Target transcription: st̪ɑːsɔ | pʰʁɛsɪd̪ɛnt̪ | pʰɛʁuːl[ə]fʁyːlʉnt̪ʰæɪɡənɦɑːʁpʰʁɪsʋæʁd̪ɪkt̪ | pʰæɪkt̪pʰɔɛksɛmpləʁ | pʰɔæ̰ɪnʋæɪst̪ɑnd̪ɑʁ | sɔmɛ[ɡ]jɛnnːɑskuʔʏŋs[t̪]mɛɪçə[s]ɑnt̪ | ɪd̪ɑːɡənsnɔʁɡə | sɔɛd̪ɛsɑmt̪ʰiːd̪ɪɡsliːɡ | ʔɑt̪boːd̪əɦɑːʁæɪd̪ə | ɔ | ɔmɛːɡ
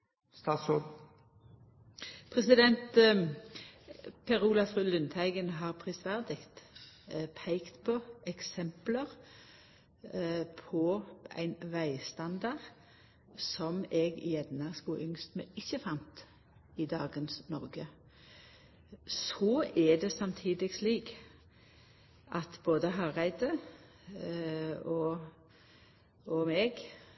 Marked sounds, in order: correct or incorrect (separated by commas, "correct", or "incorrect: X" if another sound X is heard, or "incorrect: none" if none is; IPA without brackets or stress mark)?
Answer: incorrect: ɑ, correct, correct, incorrect: f